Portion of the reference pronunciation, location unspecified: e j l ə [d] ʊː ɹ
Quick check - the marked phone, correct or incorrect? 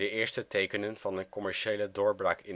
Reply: correct